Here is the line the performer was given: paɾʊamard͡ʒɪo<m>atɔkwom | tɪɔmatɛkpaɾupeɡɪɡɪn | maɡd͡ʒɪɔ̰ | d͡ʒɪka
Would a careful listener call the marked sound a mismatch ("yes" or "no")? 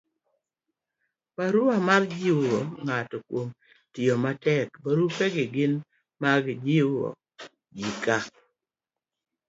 yes